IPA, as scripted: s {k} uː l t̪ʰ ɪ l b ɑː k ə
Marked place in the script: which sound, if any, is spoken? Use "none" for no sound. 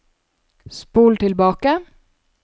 p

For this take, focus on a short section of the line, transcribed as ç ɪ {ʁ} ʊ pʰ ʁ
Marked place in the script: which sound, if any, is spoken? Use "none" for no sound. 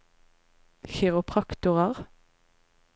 ʁ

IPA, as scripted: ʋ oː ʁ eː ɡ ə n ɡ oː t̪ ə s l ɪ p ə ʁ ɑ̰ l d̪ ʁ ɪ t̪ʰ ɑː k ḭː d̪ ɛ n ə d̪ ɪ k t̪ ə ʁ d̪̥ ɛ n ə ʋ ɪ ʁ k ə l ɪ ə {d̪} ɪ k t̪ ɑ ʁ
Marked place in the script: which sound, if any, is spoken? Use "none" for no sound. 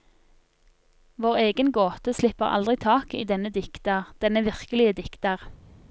d̪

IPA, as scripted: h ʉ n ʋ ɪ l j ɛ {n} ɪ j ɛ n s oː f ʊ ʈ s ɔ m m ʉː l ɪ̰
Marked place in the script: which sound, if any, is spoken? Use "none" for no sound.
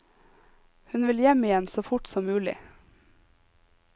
m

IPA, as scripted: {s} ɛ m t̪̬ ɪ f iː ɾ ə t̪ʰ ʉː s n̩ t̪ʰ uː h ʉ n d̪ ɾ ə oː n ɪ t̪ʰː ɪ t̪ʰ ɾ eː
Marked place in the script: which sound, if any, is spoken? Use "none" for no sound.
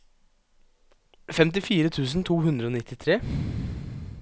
f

